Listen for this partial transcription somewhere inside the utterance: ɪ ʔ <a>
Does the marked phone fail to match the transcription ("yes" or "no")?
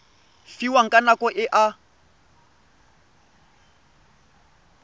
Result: no